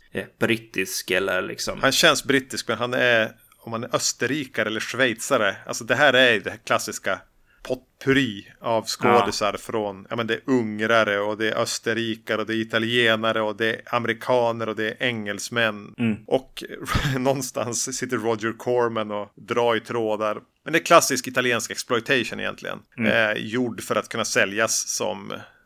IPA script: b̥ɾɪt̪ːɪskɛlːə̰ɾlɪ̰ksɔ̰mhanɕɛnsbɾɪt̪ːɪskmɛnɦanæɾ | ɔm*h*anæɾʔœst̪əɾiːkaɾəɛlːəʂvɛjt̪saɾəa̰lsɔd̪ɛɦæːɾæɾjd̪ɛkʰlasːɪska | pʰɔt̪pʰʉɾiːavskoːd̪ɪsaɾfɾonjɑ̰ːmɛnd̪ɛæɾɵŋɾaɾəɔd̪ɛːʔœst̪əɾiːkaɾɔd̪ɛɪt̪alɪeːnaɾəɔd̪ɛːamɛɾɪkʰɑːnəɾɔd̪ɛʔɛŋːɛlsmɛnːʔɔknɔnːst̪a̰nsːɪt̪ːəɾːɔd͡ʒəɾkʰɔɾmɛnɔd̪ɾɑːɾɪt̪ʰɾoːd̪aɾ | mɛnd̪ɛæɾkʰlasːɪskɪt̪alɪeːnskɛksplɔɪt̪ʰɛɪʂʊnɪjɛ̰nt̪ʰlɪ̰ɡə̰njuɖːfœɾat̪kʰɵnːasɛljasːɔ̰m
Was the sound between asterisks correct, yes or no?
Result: yes